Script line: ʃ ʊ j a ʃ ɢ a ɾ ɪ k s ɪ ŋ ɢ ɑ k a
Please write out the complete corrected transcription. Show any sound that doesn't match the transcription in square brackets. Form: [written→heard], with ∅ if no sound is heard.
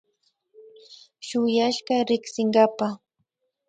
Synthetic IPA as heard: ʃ ʊ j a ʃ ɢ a ɾ ɪ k s ɪ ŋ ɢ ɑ [k→p] a

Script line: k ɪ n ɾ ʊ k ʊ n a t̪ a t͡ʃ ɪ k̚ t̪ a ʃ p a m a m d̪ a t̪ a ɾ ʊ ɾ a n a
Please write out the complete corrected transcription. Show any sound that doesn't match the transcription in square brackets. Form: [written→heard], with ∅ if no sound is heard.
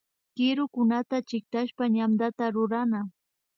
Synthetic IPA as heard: k ɪ [n→∅] ɾ ʊ k ʊ n a t̪ a t͡ʃ ɪ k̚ t̪ a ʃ p a [m→ɲ] a m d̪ a t̪ a ɾ ʊ ɾ a n a

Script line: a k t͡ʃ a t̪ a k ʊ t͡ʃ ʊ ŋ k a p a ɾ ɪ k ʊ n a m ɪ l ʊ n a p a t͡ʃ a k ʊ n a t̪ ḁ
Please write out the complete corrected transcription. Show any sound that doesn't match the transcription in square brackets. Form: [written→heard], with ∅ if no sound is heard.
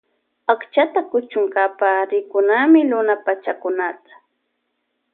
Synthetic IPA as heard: a k t͡ʃ a t̪ a k ʊ t͡ʃ ʊ ŋ k a p a ɾ ɪ k ʊ n a m ɪ l ʊ n a p a t͡ʃ a k ʊ n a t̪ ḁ

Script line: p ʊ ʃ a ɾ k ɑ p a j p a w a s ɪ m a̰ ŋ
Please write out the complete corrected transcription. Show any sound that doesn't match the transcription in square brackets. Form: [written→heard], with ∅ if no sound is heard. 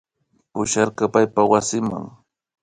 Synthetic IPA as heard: p ʊ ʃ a ɾ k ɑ p a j p a w a s ɪ m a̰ ŋ

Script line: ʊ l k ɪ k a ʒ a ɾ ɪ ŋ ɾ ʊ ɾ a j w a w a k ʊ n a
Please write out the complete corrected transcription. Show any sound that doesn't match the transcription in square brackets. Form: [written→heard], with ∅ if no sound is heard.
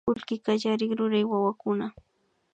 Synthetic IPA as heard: ʊ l k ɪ k a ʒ a ɾ ɪ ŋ ɾ ʊ ɾ a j w a w a k ʊ n a

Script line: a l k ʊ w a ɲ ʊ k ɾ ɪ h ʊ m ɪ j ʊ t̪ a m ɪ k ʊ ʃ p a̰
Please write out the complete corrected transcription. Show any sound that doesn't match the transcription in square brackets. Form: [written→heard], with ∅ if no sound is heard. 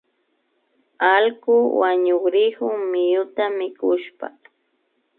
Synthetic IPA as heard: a l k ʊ w a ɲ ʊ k ɾ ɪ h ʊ m ɪ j ʊ t̪ a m ɪ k ʊ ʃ p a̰

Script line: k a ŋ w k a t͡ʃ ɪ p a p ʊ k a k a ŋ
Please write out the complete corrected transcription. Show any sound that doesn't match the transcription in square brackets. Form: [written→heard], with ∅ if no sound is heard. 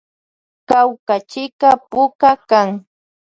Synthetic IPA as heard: k a [ŋ→∅] w k a t͡ʃ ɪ [p→k] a p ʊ k a k a ŋ

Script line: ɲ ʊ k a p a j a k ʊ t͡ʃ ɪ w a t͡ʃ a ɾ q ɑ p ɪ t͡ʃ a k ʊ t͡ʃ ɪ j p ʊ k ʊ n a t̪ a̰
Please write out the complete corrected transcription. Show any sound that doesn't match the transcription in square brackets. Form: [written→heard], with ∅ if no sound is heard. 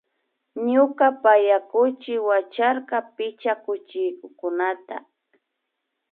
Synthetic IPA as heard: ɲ ʊ k a p a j a k ʊ t͡ʃ ɪ w a t͡ʃ a ɾ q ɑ p ɪ t͡ʃ a k ʊ t͡ʃ ɪ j [p→k] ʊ k ʊ n a t̪ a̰

